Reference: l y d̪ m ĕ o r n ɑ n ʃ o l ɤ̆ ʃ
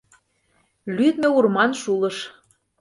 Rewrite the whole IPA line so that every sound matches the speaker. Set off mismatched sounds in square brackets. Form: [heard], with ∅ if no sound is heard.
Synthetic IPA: l y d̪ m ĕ [u] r [m] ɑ n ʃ [u] l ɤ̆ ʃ